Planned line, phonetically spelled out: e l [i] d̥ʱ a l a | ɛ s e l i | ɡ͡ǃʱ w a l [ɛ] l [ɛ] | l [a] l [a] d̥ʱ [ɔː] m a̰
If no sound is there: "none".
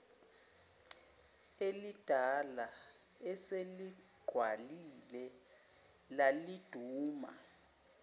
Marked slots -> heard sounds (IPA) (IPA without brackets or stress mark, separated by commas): i, i, ɛ, a, i, uː